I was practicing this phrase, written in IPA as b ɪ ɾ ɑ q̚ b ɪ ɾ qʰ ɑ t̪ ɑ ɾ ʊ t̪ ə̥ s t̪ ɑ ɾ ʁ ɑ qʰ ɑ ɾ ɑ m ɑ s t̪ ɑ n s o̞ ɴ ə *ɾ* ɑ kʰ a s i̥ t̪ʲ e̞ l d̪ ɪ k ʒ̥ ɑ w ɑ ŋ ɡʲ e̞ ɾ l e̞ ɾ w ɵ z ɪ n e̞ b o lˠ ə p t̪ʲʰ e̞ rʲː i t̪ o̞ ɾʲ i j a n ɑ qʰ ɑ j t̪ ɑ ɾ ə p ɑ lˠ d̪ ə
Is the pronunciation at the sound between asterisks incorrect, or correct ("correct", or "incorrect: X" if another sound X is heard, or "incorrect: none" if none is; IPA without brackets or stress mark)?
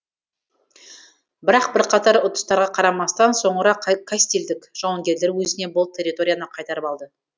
correct